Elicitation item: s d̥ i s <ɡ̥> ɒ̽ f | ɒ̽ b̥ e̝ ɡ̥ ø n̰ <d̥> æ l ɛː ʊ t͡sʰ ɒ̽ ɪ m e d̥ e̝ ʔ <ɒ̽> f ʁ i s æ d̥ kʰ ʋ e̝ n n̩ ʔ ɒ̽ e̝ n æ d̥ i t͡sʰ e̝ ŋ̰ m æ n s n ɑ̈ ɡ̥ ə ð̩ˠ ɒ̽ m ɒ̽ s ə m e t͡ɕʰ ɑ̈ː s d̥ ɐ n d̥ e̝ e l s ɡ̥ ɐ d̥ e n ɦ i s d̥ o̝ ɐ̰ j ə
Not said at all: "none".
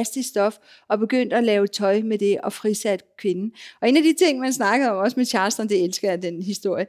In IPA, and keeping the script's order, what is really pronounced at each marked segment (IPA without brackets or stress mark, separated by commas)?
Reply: d̥, d̥, ɒ̽